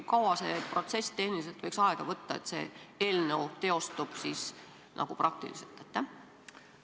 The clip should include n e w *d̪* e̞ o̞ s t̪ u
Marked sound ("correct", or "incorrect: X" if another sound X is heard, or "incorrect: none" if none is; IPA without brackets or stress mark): incorrect: t̪